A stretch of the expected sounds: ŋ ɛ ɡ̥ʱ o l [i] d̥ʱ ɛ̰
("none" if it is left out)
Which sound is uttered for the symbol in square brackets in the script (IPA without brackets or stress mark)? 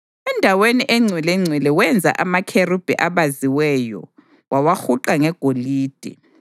iː